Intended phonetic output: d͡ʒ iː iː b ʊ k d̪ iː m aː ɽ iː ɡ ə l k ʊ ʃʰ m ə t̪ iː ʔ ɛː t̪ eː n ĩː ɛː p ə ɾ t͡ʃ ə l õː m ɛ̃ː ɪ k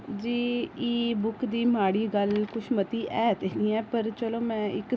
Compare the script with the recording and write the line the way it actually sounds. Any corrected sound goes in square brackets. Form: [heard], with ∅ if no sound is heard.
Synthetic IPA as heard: d͡ʒ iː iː b ʊ k d̪ iː m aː ɽ iː ɡ ə l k ʊ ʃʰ m ə t̪ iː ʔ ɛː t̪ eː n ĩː ɛː p ə ɾ t͡ʃ ə l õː m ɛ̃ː ɪ k